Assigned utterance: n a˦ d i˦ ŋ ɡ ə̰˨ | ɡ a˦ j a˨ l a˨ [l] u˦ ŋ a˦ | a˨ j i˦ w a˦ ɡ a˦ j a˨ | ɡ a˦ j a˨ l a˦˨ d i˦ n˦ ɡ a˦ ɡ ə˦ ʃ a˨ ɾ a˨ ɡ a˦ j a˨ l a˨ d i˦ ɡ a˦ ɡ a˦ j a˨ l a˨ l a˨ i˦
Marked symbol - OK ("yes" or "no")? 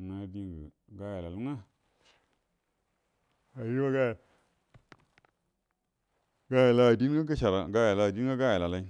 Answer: yes